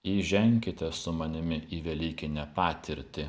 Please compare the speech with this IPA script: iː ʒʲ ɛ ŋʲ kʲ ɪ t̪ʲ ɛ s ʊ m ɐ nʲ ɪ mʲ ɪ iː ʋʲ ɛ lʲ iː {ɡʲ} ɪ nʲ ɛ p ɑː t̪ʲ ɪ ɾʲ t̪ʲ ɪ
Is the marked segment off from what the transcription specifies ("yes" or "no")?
yes